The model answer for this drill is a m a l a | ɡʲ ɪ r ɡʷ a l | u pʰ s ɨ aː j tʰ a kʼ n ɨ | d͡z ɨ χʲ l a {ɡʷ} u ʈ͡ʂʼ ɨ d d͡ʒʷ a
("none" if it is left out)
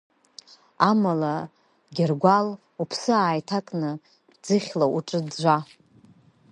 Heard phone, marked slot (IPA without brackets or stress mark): none